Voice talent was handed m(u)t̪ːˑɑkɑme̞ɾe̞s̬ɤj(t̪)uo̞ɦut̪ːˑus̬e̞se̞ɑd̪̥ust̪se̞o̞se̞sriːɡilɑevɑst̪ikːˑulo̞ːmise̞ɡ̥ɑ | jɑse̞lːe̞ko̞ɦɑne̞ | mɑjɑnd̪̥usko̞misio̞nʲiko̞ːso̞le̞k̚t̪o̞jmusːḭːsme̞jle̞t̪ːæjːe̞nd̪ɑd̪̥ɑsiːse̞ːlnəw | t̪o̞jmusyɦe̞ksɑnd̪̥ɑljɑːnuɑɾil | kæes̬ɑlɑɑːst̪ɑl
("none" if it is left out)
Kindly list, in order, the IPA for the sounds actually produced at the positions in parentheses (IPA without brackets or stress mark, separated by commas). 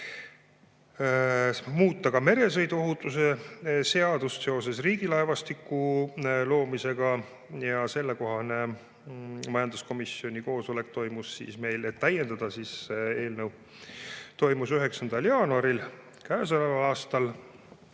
uː, d̪